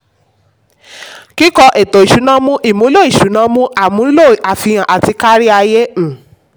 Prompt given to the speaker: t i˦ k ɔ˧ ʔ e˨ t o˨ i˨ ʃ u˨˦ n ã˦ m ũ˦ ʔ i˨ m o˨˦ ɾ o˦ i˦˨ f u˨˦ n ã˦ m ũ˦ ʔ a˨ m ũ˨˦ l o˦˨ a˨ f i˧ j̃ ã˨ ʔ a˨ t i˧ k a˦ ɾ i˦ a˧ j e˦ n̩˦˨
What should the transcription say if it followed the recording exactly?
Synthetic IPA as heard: k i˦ k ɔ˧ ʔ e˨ t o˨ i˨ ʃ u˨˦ n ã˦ m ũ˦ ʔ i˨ m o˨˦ l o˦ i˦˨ ʃ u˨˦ n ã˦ m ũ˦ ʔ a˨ m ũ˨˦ l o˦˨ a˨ f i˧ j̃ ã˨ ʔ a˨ t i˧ k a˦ ɾ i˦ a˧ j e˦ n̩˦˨